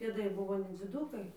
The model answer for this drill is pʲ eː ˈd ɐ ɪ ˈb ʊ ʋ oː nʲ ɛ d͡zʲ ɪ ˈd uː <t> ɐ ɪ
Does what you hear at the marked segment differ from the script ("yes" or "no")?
yes